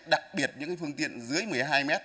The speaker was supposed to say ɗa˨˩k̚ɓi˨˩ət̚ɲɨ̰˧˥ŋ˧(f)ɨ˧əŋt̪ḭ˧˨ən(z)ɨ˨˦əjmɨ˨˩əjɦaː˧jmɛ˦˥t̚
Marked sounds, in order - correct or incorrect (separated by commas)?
correct, correct